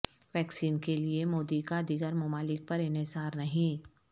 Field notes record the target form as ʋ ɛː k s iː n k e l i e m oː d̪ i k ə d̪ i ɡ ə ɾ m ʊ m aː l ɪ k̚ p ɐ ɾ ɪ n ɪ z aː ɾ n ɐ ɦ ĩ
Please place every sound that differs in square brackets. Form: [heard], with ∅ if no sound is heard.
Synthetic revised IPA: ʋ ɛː k s iː n k e l i e m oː d̪ i k [a] d̪ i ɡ ə ɾ m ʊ m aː l ɪ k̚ p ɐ ɾ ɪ n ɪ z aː ɾ n ɐ ɦ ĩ